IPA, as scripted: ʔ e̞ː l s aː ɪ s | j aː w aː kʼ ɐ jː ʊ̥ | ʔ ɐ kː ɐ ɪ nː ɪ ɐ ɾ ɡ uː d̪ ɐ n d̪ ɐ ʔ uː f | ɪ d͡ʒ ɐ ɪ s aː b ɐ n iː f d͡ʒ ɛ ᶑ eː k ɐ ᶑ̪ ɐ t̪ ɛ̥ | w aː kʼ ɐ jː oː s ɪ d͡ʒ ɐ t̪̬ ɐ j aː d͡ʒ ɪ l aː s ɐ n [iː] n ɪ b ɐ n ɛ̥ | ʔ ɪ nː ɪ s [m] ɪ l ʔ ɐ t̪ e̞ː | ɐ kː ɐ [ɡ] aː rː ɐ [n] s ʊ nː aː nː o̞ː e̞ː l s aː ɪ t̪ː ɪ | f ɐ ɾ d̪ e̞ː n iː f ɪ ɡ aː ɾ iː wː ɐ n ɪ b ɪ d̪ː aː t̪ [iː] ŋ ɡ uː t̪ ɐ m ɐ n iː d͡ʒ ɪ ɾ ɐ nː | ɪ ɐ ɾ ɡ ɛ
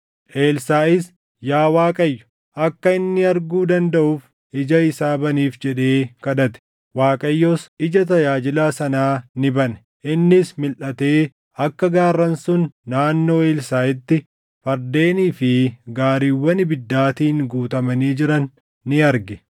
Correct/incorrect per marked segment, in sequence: incorrect: aː, correct, correct, correct, correct

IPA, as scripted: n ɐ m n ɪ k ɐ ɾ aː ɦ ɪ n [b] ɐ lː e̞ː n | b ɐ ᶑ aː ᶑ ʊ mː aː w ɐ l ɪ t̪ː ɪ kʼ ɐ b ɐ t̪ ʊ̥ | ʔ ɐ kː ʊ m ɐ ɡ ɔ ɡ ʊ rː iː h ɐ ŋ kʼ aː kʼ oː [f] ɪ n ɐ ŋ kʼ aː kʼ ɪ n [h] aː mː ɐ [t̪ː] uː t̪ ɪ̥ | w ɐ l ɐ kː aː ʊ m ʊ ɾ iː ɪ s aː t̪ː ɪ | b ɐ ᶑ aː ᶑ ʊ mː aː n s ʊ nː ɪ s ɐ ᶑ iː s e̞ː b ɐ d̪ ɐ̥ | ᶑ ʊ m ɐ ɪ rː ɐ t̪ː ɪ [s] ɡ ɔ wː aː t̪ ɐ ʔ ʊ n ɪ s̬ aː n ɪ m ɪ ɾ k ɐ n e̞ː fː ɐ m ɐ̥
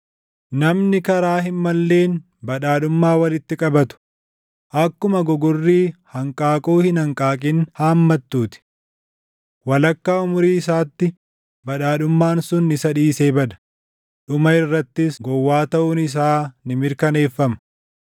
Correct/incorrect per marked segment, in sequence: incorrect: m, incorrect: h, correct, correct, correct

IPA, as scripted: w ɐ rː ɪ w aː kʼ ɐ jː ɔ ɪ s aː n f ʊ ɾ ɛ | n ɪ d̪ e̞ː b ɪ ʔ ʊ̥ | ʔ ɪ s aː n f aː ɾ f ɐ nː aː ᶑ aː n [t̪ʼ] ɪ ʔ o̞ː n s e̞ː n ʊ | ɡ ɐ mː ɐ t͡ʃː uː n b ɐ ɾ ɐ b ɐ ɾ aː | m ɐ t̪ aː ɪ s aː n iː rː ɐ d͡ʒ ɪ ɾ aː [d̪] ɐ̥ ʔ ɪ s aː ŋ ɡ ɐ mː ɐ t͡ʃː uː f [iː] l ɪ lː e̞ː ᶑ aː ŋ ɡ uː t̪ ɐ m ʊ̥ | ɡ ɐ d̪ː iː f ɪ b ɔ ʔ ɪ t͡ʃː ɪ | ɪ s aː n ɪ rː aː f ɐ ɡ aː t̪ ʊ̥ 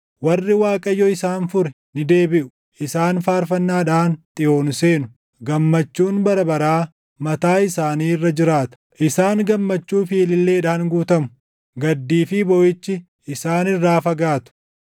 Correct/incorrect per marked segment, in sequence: correct, incorrect: t̪, correct

